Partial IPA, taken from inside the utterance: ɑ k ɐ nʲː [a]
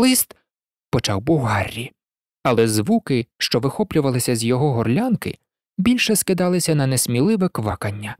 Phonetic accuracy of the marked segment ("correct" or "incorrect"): incorrect